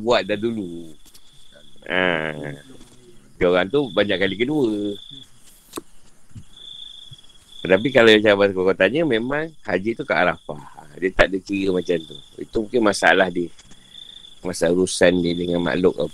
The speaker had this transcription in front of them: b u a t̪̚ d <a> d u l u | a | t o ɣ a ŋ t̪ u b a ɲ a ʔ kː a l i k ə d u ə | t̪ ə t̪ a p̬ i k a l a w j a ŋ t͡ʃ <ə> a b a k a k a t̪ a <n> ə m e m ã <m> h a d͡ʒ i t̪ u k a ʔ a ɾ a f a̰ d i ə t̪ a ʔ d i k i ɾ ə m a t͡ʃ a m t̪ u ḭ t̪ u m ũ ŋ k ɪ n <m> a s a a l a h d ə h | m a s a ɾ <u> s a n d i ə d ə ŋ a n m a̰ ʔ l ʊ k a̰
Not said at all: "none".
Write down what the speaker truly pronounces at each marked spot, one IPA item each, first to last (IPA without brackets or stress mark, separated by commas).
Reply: a, a, ɲ, ŋ, m, u